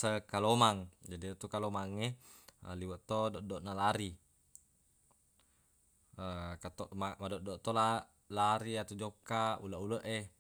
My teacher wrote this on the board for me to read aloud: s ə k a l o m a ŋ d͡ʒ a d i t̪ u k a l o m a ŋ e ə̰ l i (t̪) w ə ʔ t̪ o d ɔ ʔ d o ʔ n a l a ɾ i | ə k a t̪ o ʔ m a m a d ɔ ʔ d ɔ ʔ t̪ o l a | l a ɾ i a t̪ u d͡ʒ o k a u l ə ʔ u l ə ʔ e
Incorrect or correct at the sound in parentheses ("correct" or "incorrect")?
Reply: incorrect